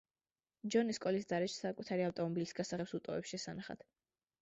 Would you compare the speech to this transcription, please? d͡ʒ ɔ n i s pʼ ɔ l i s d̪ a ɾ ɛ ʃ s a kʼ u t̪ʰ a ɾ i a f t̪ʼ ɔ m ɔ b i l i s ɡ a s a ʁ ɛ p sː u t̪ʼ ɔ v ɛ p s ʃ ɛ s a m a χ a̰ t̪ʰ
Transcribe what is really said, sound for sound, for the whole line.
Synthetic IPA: d͡ʒ ɔ n i s kʼ ɔ l i s d̪ a ɾ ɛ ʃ s a kʼ u t̪ʰ a ɾ i a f t̪ʼ ɔ m ɔ b i l i s ɡ a s a ʁ ɛ p s u t̪ʼ ɔ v ɛ p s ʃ ɛ s a n a χ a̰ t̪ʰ

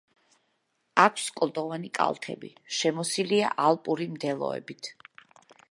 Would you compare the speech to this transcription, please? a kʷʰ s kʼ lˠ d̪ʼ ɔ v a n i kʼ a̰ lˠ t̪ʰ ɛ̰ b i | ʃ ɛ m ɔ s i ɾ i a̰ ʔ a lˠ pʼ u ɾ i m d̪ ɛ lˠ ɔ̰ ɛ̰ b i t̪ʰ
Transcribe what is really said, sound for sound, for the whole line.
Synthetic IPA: a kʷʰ s kʼ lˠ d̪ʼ ɔ v a n i kʼ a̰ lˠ t̪ʰ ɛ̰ b i | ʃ ɛ m ɔ s i l i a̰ ʔ a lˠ pʼ u ɾ i m d̪ ɛ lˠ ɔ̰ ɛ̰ b i t̪ʰ

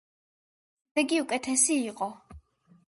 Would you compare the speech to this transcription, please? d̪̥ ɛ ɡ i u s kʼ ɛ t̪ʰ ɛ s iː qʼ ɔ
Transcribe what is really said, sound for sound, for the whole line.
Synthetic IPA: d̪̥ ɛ ɡ i u kʼ ɛ t̪ʰ ɛ s iː qʼ ɔ

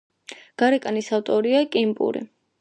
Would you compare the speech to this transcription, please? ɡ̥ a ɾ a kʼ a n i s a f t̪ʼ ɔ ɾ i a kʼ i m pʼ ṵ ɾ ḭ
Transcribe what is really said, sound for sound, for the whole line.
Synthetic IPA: ɡ̥ a ɾ ɛ kʼ a n i s a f t̪ʼ ɔ ɾ i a kʼ i m pʼ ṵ ɾ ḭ

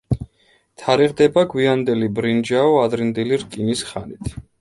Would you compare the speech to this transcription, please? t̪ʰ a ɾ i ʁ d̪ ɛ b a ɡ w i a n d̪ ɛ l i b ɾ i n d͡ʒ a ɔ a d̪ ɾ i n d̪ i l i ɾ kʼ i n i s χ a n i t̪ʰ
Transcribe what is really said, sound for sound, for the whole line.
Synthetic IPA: t̪ʰ a ɾ i ʁ d̪ ɛ b a ɡ w i a n d̪ ɛ l i b ɾ i n d͡ʒ a ɔ a d̪ ɾ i n d̪ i l i ɾ kʼ i n i s χ a n i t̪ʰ

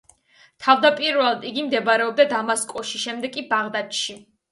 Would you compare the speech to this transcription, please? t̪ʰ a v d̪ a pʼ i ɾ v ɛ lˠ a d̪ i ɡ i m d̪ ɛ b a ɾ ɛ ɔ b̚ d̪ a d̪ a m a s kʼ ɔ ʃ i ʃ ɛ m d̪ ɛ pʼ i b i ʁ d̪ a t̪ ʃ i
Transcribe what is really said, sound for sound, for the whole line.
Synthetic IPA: t̪ʰ a v d̪ a pʼ i ɾ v ɛ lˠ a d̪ i ɡ i m d̪ ɛ b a ɾ ɛ ɔ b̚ d̪ a d̪ a m a s kʼ ɔ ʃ i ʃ ɛ m d̪ ɛ kʼ i b a ʁ d̪ a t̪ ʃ i

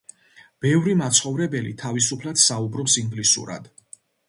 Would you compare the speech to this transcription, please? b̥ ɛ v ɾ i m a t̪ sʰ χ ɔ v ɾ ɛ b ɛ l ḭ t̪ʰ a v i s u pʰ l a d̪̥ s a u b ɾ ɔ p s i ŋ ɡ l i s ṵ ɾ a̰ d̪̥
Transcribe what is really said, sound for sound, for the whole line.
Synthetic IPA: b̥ ɛ v ɾ i m a t̪ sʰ χ ɔ v ɾ ɛ b ɛ l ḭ t̪ʰ a v i s u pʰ l a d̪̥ s a u b ɾ ɔ p s i ŋ ɡ l i s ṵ ɾ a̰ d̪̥

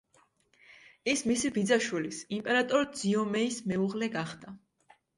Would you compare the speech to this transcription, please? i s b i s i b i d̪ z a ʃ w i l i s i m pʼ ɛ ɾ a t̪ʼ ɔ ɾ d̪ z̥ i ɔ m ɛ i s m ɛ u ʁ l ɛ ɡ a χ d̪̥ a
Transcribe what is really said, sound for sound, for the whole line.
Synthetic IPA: i s m i s i b i d̪ z a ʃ w i l i s i m pʼ ɛ ɾ a t̪ʼ ɔ ɾ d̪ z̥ i ɔ m ɛ i s m ɛ u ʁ l ɛ ɡ a χ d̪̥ a

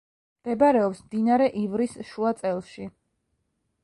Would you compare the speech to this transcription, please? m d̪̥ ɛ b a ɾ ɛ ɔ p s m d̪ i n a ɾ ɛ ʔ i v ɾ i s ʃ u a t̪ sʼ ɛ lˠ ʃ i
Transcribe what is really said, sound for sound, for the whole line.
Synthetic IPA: m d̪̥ ɛ b a ɾ ɛ ɔ p s m d̪ i n a ɾ ɛ ʔ i v ɾ i s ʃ u a t̪ sʼ ɛ lˠ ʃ i

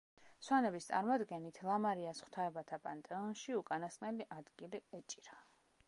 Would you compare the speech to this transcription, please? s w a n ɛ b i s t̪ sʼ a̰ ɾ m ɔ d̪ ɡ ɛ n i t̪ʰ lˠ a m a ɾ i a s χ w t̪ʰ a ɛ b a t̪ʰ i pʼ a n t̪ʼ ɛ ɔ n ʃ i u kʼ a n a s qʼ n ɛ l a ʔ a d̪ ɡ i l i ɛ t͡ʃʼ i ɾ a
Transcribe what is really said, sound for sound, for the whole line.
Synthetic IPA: s w a n ɛ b i s t̪ sʼ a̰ ɾ m ɔ d̪ ɡ ɛ n i t̪ʰ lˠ a m a ɾ i a s χ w t̪ʰ a ɛ b a t̪ʰ a pʼ a n t̪ʼ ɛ ɔ n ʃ i u kʼ a n a s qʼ n ɛ l i ʔ a d̪ ɡ i l i ɛ t͡ʃʼ i ɾ a

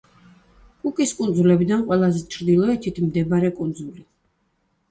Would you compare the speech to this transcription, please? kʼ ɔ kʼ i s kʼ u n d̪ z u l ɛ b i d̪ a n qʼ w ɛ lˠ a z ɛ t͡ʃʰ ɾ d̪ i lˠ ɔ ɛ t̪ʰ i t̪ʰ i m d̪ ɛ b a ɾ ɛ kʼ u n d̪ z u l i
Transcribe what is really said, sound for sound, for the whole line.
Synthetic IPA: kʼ u kʼ i s kʼ u n d̪ z u l ɛ b i d̪ a n qʼ w ɛ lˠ a z ɛ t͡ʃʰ ɾ d̪ i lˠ ɔ ɛ t̪ʰ i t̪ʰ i m d̪ ɛ b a ɾ ɛ kʼ u n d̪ z u l i

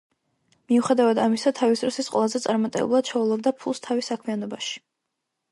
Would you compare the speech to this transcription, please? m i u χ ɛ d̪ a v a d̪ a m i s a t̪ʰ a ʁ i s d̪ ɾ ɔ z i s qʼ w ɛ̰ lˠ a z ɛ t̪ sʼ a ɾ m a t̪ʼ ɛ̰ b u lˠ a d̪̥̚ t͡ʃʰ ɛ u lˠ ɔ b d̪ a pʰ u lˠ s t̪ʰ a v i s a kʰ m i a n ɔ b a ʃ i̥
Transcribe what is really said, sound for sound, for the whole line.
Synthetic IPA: m i u χ ɛ d̪ a v a d̪ a m i s a t̪ʰ a v i s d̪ ɾ ɔ s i s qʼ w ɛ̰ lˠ a z ɛ t̪ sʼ a ɾ m a t̪ʼ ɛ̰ b u lˠ a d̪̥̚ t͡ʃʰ ɛ u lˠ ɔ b d̪ a pʰ u lˠ s t̪ʰ a v i s a kʰ m i a n ɔ b a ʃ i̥

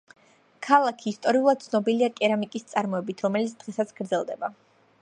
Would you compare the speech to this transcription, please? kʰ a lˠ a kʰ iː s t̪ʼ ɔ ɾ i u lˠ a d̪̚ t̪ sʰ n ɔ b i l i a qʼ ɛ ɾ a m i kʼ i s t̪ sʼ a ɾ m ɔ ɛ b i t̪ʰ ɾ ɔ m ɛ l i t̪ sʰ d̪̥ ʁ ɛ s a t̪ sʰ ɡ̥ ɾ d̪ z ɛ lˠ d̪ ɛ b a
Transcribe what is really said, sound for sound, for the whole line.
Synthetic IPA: kʰ a lˠ a kʰ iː s t̪ʼ ɔ ɾ i u lˠ a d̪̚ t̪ sʰ n ɔ b i l i a kʼ ɛ ɾ a m i kʼ i s t̪ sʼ a ɾ m ɔ ɛ b i t̪ʰ ɾ ɔ m ɛ l i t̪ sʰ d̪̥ ʁ ɛ s a t̪ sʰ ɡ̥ ɾ d̪ z ɛ lˠ d̪ ɛ b a

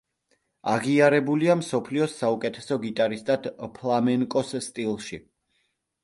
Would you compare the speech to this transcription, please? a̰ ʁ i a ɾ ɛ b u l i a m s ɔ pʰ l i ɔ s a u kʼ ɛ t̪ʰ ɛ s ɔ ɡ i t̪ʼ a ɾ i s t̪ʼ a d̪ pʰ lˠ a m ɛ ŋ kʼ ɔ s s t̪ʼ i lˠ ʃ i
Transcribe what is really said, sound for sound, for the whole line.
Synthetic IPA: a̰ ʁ i a ɾ ɛ b u l i a m s ɔ pʰ l i ɔ s a u kʼ ɛ t̪ʰ ɛ s ɔ ɡ i t̪ʼ a ɾ i s t̪ʼ a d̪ pʰ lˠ a m ɛ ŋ kʼ ɔ s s t̪ʼ i lˠ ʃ i

